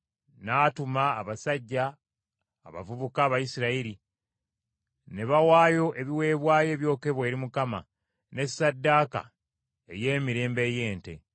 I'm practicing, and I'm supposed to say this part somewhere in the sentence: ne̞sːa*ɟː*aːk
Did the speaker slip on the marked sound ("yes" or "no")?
yes